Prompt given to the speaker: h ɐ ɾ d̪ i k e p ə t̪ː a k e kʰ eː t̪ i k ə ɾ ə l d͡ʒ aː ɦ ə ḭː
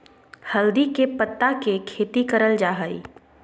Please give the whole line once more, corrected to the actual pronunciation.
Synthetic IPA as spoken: h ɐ l d̪ i k e p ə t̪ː a k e kʰ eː t̪ i k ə ɾ ə l d͡ʒ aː ɦ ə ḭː